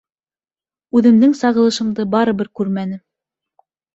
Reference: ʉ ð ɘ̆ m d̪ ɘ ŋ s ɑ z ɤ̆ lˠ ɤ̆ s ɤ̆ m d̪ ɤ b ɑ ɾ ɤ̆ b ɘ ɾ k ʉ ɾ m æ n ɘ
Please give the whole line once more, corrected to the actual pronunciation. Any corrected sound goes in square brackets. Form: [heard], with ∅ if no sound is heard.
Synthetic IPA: ʉ ð ɘ̆ m d̪ ɘ ŋ s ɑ [ʁ] ɤ̆ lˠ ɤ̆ [ʃ] ɤ̆ m d̪ ɤ b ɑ ɾ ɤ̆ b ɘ ɾ k ʉ ɾ m æ n ɘ